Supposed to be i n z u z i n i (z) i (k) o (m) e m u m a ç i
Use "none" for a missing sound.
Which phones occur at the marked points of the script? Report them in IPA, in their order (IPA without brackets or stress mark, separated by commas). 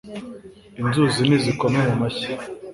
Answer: z, k, m